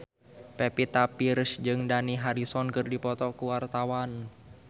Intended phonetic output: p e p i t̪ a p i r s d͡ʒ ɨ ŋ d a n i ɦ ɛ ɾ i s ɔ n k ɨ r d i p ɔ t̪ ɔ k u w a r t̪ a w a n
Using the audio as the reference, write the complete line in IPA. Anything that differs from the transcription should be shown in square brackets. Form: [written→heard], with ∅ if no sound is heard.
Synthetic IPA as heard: p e p i t̪ a p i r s d͡ʒ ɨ ŋ d a n i ɦ [ɛ→a] ɾ i s ɔ n k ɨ r d i p ɔ t̪ ɔ k u w a r t̪ a w a n